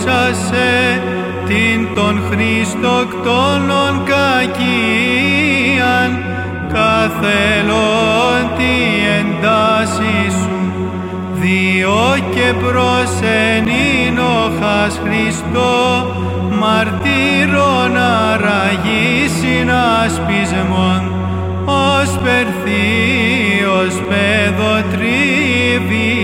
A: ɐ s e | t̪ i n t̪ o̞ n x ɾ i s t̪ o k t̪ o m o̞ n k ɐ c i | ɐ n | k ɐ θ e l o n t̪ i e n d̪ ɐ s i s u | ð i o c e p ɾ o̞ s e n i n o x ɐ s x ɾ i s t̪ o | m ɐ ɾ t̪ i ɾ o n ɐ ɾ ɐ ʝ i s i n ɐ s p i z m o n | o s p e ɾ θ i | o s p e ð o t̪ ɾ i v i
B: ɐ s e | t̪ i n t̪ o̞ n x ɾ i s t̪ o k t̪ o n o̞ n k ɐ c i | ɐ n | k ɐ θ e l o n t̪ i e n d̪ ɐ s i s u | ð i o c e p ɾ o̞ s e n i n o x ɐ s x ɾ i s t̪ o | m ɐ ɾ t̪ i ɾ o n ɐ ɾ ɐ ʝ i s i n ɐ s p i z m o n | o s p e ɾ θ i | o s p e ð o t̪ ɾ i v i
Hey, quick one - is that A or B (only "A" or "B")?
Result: B